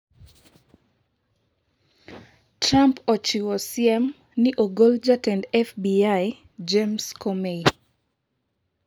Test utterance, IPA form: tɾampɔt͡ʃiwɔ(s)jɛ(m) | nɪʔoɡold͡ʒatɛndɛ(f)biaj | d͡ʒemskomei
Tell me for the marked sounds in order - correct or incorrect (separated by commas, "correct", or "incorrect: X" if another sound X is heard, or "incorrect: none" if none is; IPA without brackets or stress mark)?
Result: correct, correct, correct